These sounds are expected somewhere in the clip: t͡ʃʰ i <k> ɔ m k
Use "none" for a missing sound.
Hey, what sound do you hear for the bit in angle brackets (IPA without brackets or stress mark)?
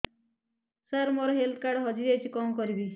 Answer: k